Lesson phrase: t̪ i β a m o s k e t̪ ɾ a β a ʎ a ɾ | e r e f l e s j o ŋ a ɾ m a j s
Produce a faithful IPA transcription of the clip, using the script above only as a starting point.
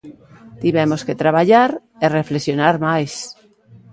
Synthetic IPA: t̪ i β e m o s k e t̪ ɾ a β a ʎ a ɾ | e r e f l e s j o n a ɾ m a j s